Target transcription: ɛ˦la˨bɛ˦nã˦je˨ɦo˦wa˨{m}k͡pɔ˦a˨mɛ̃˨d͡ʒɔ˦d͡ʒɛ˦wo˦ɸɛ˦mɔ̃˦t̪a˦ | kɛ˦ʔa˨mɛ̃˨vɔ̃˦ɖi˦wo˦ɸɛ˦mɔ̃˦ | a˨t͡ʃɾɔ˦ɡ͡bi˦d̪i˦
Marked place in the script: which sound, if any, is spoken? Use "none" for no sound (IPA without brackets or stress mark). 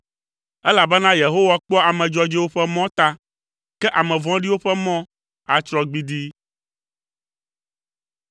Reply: none